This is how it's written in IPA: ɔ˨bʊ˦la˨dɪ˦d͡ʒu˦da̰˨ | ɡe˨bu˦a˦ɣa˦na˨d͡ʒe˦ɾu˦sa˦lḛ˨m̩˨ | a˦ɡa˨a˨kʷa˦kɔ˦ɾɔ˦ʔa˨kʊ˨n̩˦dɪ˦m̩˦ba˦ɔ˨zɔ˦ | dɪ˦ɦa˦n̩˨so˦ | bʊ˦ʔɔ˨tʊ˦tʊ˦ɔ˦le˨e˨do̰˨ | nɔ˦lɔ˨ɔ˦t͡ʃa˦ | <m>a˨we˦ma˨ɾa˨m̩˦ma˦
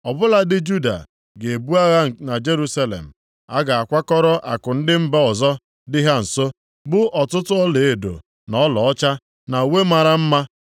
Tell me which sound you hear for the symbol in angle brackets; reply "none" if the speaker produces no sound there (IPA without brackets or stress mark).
n